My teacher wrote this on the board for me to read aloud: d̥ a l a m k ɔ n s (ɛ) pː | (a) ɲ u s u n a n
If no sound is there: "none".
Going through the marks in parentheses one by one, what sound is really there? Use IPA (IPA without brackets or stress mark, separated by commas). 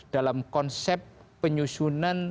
ɛ, ə